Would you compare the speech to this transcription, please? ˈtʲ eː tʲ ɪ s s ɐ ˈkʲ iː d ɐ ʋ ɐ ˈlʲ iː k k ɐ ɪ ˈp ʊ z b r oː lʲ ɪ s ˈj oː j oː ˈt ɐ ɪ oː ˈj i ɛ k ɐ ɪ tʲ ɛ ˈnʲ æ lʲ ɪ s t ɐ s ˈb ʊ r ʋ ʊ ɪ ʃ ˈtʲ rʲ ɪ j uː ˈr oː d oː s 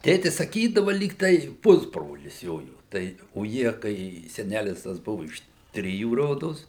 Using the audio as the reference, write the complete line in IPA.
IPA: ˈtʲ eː tʲ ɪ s s ɐ ˈkʲ iː d ɐ ʋ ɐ ˈlʲ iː k t ɐ ɪ ˈp ʊ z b r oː lʲ ɪ s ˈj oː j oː ˈt ɐ ɪ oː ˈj i ɛ k ɐ ɪ sʲ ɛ ˈnʲ æ lʲ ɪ s t ɐ s ˈb ʊ ʋ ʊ ɪ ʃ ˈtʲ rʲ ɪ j uː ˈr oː d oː s